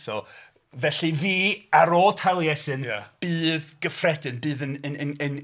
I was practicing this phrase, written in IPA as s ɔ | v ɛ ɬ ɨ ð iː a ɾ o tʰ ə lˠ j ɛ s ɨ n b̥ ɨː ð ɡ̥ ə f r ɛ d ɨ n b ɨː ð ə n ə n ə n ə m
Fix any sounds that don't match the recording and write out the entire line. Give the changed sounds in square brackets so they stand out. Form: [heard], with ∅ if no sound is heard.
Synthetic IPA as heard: s ɔ | v ɛ ɬ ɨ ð iː a ɾ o tʰ [a] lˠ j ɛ s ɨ n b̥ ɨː ð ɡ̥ ə f r ɛ d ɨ n b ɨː ð ə n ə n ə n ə [n]